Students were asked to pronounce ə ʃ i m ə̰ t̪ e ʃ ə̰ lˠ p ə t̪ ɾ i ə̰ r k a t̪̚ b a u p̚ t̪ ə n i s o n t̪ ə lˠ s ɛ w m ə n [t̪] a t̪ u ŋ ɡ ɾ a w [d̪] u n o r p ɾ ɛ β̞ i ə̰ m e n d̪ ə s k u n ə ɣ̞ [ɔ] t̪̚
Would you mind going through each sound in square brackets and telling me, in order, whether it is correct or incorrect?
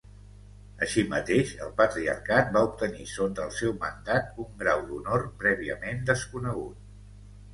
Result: incorrect, correct, incorrect

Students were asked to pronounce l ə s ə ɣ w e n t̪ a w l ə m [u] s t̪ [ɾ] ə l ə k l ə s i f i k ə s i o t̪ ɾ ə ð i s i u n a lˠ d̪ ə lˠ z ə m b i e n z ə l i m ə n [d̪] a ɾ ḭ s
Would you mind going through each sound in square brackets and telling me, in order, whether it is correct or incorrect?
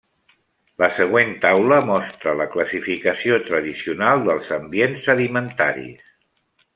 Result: incorrect, correct, incorrect

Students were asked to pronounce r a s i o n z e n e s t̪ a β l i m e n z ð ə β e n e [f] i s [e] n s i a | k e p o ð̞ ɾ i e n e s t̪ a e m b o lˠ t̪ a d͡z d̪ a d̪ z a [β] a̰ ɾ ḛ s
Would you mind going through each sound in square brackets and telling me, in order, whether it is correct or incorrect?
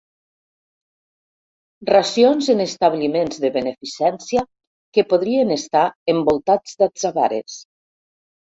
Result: correct, incorrect, correct

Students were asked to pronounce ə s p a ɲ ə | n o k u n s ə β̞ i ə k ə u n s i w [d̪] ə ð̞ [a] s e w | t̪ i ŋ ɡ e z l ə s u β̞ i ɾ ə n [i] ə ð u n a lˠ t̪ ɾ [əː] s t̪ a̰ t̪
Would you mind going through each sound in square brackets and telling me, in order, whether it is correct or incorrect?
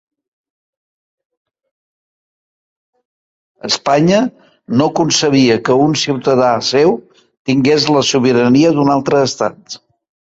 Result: incorrect, correct, correct, correct

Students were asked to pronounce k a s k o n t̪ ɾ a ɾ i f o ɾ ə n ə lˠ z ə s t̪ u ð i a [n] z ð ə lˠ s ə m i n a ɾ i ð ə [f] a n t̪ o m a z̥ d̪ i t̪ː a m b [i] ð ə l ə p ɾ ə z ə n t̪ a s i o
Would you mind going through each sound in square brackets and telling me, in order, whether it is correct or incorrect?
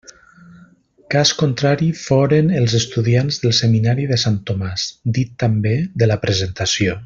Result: correct, incorrect, incorrect

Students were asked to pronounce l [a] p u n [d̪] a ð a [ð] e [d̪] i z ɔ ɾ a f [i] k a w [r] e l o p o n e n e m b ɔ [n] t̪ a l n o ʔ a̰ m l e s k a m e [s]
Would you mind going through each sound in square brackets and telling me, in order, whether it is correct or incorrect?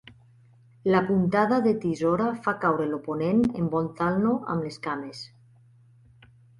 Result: correct, incorrect, correct, incorrect, incorrect, incorrect, correct, correct

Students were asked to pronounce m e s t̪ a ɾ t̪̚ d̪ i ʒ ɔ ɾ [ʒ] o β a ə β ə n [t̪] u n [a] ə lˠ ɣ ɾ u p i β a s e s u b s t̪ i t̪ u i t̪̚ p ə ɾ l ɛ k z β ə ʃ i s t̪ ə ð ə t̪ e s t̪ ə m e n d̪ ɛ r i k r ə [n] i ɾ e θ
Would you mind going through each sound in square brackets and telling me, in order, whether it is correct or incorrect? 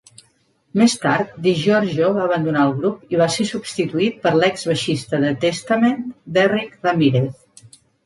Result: correct, incorrect, correct, incorrect

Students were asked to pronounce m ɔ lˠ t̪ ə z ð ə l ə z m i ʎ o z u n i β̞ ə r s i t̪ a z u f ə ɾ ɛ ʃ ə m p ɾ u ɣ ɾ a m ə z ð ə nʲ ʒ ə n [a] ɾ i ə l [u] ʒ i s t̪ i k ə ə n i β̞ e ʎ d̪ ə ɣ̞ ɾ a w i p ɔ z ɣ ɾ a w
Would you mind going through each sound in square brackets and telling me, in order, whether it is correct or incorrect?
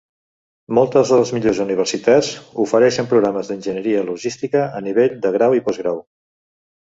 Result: incorrect, correct

